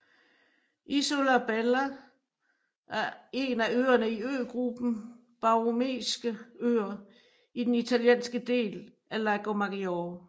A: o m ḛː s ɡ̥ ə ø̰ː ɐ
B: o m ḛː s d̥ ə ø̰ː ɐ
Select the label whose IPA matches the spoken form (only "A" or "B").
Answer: A